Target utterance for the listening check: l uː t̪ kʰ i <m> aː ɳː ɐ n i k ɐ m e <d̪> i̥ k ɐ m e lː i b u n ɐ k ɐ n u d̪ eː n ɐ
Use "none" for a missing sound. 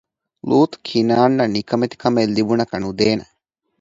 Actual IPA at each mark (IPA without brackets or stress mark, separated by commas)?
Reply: n, t̪